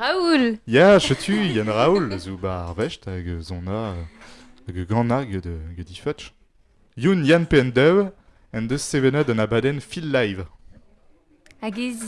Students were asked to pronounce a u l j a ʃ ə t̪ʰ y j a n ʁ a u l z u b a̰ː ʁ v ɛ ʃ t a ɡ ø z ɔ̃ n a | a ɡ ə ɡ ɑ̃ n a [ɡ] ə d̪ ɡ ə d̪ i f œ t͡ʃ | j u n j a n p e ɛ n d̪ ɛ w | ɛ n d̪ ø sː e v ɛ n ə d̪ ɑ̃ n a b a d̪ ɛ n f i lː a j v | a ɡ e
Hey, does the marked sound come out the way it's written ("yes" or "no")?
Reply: yes